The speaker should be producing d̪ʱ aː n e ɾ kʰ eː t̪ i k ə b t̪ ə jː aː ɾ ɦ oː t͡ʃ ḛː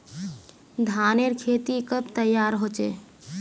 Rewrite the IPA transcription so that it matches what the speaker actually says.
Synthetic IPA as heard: d̪ʱ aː n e ɾ kʰ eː t̪ i k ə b t̪ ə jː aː ɾ ɦ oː t͡ʃ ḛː